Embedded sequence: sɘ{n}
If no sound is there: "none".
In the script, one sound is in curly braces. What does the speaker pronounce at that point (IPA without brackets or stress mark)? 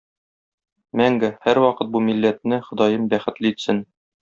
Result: n